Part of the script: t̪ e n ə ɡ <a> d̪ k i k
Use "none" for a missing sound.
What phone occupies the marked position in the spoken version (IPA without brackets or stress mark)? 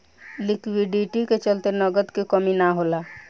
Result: ə